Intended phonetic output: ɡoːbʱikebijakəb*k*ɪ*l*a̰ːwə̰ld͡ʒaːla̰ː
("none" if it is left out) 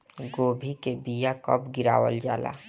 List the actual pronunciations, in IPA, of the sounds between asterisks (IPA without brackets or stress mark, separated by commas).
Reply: ɡ, ɾ